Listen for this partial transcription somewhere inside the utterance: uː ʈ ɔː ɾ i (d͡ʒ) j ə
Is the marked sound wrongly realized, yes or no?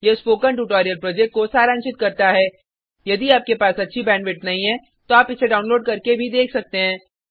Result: yes